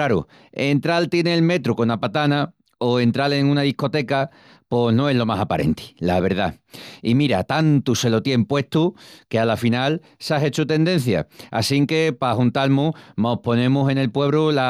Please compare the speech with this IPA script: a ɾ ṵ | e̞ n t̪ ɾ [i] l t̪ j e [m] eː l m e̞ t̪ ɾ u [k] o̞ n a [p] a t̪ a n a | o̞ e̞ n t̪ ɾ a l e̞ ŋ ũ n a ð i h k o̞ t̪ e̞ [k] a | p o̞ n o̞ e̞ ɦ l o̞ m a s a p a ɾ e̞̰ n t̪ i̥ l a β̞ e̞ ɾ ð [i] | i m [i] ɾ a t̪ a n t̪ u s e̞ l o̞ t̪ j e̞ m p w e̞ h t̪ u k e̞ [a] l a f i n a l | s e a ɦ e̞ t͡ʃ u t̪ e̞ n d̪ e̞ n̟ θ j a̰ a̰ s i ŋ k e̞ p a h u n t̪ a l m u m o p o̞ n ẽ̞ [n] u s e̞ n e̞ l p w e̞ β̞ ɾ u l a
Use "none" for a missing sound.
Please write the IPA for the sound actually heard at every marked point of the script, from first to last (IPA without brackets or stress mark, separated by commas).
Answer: a, n, k, p, k, a, i, a, m